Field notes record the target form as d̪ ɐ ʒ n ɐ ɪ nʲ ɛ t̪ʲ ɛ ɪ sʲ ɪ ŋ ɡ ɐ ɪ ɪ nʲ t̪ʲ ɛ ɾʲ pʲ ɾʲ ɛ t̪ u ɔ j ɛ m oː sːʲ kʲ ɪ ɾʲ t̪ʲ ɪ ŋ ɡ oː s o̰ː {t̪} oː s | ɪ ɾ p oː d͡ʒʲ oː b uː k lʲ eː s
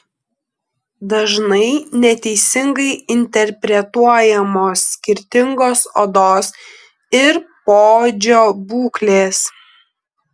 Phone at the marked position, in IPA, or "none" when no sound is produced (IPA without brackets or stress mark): d̪